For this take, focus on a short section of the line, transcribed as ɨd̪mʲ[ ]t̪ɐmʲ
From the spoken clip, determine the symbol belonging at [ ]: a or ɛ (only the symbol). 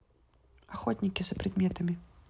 ɛ